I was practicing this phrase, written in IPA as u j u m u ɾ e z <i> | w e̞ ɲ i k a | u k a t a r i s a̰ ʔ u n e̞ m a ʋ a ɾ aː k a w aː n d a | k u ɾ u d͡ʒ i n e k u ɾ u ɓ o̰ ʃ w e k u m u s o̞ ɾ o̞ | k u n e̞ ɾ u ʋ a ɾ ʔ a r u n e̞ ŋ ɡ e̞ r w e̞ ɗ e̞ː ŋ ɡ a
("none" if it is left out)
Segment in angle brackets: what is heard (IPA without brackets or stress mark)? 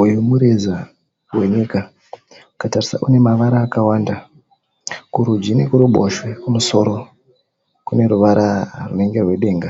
a